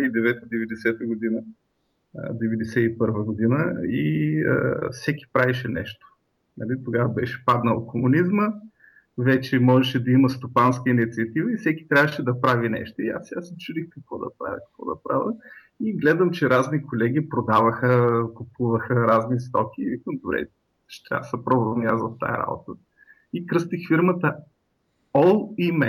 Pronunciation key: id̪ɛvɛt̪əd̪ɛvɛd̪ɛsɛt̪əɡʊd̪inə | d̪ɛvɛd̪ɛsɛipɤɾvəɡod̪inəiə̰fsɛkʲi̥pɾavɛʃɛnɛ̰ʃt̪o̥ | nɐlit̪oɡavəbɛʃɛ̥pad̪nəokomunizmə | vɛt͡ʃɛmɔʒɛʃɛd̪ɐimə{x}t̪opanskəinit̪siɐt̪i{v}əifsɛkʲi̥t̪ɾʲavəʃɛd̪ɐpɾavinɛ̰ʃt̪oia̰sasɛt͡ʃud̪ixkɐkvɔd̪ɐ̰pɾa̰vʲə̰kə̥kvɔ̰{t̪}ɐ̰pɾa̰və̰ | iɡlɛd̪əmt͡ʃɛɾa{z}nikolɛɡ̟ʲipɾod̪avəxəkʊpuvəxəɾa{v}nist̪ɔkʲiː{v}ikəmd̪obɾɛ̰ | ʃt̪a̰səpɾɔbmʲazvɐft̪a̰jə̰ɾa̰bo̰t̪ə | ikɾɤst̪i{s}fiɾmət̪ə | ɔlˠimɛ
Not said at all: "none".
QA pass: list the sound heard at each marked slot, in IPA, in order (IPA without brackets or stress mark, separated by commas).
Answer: s, v, d̪, z, z, v, x